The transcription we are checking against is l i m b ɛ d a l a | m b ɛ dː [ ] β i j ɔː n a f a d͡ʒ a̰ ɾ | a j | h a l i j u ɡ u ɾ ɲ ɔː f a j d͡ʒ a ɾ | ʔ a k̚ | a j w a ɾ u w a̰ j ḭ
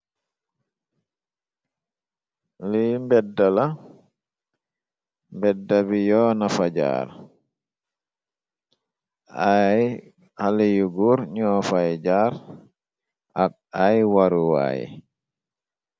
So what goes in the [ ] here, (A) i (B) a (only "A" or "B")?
B